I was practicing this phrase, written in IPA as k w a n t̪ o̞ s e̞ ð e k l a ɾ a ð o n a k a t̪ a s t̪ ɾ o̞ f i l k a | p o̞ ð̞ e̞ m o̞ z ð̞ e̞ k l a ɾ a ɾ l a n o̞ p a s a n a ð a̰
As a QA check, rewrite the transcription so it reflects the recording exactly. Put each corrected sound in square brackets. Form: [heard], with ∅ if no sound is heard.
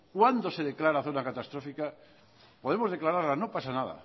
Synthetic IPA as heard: k w a n [d̪] o̞ s e̞ ð e k l a ɾ a [θ] o n a k a t̪ a s t̪ ɾ o̞ f i [∅] k a | p o̞ ð̞ e̞ m o̞ z ð̞ e̞ k l a ɾ a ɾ l a n o̞ p a s a n a ð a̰